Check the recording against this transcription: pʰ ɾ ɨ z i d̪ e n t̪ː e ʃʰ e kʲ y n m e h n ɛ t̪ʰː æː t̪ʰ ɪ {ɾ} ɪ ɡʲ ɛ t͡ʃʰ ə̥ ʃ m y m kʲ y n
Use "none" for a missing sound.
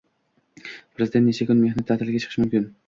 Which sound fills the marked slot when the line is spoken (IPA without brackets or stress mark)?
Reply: l